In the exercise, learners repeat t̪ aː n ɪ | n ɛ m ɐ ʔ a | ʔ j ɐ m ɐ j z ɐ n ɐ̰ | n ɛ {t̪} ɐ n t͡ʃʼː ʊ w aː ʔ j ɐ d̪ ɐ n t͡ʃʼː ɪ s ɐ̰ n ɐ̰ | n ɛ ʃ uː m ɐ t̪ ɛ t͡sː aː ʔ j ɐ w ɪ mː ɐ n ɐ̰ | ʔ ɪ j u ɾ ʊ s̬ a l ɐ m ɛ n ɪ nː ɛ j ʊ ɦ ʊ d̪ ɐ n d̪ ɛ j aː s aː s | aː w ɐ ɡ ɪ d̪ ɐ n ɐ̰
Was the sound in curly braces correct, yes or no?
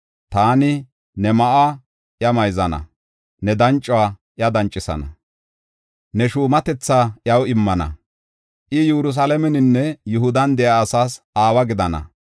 no